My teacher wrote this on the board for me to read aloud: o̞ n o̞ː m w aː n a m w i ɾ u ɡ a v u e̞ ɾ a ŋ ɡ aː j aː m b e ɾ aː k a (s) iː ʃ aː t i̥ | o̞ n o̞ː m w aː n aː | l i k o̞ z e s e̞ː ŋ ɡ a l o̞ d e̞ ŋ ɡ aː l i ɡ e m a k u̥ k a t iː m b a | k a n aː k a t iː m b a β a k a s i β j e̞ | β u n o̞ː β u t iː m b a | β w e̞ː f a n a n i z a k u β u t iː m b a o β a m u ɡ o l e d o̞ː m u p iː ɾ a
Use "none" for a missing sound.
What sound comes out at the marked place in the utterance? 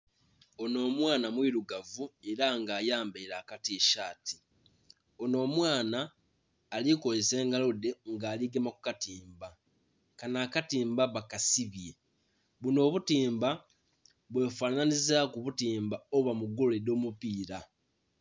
t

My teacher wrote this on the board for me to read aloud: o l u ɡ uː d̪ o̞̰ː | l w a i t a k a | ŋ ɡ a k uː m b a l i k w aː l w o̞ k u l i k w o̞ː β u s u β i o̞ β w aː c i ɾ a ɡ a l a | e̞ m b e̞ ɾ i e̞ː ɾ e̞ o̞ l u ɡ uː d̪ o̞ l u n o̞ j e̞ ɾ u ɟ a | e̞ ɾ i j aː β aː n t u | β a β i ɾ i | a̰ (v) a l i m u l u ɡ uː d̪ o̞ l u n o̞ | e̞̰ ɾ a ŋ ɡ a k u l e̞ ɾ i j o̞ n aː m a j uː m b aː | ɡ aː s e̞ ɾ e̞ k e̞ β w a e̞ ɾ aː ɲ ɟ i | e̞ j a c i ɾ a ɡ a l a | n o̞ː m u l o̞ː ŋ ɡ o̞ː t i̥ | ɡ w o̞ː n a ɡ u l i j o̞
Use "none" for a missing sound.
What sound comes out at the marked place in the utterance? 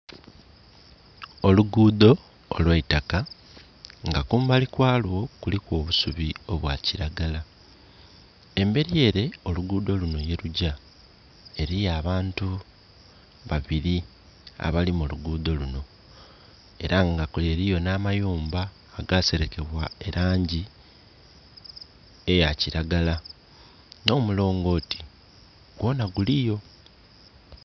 β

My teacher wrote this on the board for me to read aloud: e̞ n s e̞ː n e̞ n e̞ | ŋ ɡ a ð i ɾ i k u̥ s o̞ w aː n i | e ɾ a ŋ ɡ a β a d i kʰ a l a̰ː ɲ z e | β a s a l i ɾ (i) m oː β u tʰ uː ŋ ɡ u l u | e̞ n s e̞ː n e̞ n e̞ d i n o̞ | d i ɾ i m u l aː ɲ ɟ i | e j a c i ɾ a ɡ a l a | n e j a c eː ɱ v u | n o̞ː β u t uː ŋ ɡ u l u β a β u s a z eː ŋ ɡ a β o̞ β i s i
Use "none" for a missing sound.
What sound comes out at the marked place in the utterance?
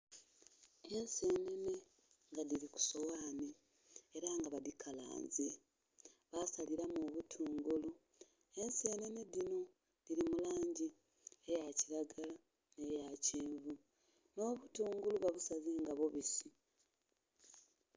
a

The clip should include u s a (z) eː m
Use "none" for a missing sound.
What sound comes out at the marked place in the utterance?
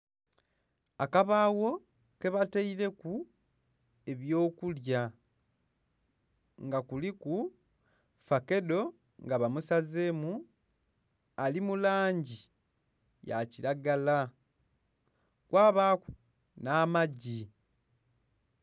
z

